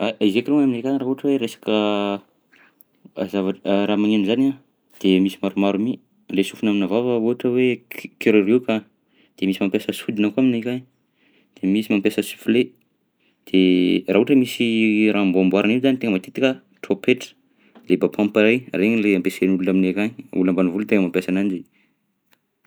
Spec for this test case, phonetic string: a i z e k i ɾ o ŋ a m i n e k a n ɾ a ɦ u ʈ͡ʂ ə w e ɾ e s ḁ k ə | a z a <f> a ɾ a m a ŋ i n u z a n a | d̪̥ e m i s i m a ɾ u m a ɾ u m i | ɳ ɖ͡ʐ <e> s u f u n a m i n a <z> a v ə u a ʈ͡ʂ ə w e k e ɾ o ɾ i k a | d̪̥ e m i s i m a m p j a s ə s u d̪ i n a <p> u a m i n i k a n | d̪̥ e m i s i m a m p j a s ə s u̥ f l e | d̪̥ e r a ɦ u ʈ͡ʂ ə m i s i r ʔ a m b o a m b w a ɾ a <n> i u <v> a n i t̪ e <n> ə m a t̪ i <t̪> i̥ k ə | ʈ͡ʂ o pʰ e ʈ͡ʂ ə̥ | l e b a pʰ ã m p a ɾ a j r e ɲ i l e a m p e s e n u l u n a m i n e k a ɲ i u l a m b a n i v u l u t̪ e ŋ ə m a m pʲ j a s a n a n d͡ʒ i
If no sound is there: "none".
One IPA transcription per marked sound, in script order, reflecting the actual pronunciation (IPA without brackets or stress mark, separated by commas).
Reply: v, e, v, k, n, z, ŋ, t̪